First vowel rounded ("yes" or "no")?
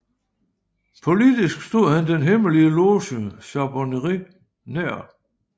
yes